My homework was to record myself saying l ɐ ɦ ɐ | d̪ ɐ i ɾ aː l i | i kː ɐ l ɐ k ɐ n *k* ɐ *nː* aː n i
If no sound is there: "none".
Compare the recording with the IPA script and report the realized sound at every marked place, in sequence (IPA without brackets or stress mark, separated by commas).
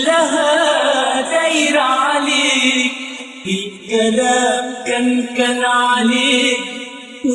k, n